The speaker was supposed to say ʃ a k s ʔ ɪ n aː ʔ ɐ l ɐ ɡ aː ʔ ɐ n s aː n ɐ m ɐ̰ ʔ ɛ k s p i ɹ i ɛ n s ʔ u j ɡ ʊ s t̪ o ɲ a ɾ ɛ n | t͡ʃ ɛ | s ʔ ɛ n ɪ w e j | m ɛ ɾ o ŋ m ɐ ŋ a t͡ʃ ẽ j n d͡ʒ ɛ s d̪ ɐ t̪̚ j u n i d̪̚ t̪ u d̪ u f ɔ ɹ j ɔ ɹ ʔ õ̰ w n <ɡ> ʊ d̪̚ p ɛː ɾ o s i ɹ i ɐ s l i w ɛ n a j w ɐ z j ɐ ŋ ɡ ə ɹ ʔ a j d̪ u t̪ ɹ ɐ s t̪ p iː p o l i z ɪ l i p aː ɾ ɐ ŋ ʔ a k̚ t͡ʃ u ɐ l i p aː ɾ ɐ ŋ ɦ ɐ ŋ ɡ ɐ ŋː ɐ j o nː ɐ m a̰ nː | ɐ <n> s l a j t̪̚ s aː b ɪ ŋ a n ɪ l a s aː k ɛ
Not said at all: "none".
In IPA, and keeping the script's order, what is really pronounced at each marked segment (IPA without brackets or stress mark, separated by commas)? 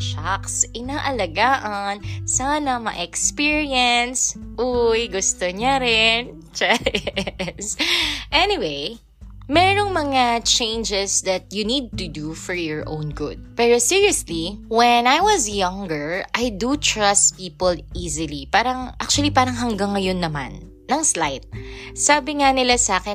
ɡ, ŋ